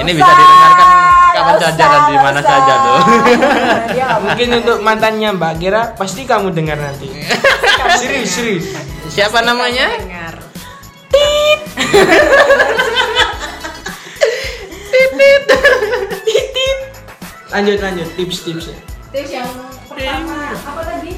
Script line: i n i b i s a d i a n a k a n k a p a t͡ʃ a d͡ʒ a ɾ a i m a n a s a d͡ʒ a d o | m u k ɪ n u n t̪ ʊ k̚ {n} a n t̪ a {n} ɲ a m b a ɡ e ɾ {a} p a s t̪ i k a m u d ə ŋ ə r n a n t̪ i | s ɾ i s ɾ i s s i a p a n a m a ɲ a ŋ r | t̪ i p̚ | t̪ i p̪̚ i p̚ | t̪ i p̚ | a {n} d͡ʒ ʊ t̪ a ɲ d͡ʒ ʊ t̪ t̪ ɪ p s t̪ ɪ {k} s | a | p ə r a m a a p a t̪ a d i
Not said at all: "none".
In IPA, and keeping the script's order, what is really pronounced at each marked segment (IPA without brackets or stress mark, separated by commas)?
m, n, a, ɲ, p